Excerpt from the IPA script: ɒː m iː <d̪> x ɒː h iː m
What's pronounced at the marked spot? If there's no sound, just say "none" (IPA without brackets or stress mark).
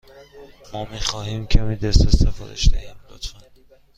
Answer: none